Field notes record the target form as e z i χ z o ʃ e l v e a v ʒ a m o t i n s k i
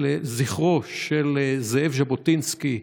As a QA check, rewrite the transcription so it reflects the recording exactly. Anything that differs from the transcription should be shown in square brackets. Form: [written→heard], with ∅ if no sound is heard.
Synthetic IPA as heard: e z i χ [z→ʁ] o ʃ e l [v→z] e [a→e] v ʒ a [m→b] o t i n s k i